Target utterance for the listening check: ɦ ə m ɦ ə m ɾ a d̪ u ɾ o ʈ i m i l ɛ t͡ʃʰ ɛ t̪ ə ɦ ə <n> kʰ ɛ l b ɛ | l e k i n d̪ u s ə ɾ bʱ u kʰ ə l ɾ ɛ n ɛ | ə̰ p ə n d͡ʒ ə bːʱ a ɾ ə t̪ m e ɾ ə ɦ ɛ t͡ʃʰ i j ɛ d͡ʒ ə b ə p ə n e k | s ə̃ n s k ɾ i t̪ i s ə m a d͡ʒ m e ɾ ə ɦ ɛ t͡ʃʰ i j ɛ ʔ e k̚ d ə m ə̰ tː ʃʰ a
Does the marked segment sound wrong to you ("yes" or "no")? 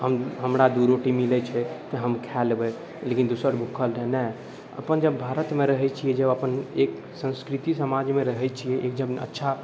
yes